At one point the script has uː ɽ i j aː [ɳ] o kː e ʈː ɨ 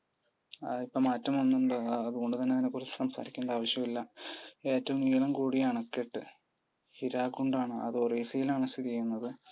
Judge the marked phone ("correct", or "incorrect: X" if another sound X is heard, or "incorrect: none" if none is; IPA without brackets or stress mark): correct